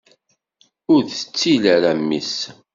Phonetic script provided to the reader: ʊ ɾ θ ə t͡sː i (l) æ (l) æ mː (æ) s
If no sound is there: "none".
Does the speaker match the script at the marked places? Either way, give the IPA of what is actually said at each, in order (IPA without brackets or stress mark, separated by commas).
l, ɾ, i